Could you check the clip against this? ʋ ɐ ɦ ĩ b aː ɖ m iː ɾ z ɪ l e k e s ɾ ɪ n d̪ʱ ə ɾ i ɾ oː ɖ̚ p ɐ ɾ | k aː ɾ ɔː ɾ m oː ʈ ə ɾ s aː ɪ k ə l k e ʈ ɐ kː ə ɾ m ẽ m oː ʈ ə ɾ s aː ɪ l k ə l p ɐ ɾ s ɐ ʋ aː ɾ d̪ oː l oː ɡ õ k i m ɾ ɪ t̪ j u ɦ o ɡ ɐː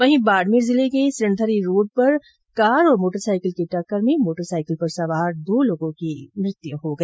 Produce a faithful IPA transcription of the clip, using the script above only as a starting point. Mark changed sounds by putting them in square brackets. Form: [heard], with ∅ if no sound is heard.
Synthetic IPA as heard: ʋ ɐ ɦ ĩ b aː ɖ m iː ɾ z ɪ l e k e s ɾ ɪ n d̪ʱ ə ɾ i ɾ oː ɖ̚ p ɐ ɾ | k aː ɾ ɔː ɾ m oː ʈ ə ɾ s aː ɪ k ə l k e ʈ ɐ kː ə ɾ m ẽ m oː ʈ ə ɾ s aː ɪ [∅] k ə l p ɐ ɾ s ɐ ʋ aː ɾ d̪ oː l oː ɡ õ k i m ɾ ɪ t̪ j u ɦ o ɡ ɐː